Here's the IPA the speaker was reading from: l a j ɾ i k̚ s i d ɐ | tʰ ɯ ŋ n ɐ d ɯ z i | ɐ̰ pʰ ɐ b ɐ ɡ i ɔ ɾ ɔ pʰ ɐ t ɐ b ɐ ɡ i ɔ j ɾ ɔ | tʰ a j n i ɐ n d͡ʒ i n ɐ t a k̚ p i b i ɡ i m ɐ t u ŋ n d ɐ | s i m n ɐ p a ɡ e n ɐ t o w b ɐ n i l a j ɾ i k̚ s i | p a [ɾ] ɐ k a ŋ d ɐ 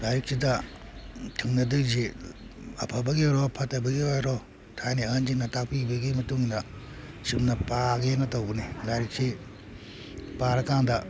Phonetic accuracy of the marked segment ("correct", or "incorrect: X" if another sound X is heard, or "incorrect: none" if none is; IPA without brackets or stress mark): correct